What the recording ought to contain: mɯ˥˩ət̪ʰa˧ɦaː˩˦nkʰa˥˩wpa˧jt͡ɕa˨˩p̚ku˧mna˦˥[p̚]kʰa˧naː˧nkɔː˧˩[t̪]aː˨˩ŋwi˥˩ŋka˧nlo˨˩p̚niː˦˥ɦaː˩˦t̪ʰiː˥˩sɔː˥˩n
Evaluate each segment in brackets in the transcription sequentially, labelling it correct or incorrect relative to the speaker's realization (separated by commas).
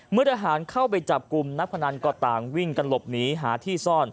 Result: correct, correct